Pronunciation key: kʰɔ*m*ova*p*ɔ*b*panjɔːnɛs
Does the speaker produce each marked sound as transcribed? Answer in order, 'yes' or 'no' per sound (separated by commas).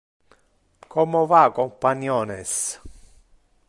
yes, no, no